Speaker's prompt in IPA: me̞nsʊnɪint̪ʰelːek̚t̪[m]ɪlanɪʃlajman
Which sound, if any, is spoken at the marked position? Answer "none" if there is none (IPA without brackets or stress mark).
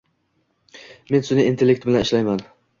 b